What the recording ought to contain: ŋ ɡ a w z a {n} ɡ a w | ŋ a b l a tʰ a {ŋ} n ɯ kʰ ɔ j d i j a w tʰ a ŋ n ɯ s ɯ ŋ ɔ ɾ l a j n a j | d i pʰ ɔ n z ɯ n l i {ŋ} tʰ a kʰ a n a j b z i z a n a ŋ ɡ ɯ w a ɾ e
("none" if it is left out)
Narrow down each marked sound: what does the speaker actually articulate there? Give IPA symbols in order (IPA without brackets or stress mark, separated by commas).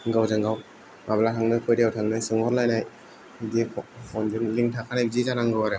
ŋ, ŋ, ŋ